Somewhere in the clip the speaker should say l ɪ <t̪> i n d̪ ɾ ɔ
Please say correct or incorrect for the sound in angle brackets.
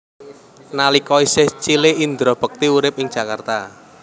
incorrect